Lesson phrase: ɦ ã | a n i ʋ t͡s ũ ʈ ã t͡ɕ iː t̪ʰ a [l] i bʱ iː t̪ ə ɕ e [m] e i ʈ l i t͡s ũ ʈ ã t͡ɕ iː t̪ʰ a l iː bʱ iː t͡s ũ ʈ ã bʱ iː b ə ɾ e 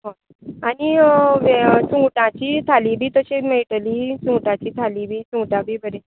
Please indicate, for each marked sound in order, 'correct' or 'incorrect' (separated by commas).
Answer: correct, correct